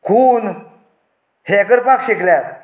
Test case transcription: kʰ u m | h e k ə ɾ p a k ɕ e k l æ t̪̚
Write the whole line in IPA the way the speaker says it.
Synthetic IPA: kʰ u n | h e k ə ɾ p a k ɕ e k l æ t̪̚